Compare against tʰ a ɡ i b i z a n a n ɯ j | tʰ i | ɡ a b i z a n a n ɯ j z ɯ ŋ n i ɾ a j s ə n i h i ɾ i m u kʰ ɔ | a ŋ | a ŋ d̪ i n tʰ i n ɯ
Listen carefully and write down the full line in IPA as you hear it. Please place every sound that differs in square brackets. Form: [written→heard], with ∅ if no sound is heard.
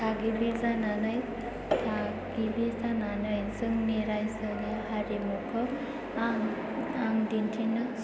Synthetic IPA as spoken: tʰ a ɡ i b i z a n a n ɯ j | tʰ [i→a] | ɡ [a→i] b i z a n a n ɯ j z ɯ ŋ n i ɾ a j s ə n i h [i→a] ɾ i m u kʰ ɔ | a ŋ | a ŋ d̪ i n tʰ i n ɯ